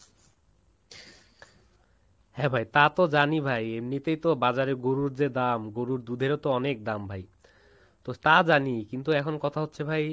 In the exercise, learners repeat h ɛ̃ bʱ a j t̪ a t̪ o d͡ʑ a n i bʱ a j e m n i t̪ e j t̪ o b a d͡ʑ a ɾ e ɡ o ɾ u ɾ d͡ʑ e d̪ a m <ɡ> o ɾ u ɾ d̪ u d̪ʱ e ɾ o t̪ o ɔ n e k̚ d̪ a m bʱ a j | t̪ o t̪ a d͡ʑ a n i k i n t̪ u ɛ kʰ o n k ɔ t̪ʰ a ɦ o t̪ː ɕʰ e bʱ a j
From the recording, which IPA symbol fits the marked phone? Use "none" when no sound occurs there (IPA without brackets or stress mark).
ɡ